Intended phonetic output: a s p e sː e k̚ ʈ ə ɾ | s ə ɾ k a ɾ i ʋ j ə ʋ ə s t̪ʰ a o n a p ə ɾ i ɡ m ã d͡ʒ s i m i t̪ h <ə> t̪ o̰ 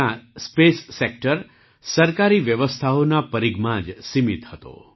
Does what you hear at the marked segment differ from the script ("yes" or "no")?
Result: no